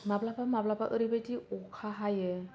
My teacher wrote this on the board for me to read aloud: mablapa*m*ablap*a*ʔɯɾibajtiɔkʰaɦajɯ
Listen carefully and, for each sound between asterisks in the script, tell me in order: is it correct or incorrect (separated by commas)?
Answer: correct, correct